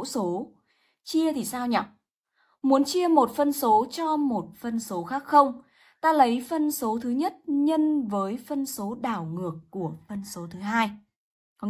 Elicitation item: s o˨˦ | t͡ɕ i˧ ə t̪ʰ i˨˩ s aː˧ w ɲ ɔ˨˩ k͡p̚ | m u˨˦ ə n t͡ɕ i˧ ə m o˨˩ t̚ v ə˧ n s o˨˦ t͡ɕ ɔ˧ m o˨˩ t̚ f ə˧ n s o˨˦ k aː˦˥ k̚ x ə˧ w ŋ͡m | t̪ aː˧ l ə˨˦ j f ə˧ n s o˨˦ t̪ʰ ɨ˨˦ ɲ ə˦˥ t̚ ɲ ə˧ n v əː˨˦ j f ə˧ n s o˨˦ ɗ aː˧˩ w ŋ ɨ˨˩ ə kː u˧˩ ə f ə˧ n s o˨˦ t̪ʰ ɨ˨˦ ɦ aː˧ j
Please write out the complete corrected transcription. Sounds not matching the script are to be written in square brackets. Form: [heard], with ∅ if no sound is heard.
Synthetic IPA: s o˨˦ | t͡ɕ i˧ ə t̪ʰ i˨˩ s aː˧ w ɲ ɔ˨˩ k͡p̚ | m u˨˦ ə n t͡ɕ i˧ ə m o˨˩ t̚ [f] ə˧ n s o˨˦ t͡ɕ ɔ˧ m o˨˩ t̚ f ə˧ n s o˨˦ [x] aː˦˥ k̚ x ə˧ w ŋ͡m | t̪ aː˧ l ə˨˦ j f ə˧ n s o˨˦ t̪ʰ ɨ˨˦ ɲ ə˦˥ t̚ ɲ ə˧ n v əː˨˦ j f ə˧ n s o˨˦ ɗ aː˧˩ w ŋ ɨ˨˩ ə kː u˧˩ ə f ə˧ n s o˨˦ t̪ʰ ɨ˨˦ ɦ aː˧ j